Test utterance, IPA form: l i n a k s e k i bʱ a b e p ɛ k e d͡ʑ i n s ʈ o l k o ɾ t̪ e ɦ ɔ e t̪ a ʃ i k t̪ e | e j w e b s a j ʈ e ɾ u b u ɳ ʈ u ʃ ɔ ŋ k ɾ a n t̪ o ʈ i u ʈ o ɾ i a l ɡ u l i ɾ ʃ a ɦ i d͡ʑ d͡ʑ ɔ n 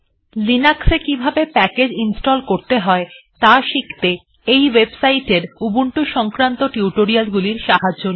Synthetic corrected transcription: l i n a k s e k i bʱ a b e p ɛ k e d͡ʑ i n s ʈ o l k o ɾ t̪ e ɦ ɔ e t̪ a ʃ i k t̪ e | e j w e b s a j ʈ e ɾ u b u ɳ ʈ u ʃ ɔ ŋ k ɾ a n t̪ o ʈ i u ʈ o ɾ i a l ɡ u l i ɾ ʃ a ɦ a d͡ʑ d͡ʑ o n